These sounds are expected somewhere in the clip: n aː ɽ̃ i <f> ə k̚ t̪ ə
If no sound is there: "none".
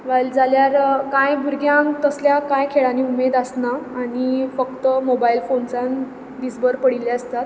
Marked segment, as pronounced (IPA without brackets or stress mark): f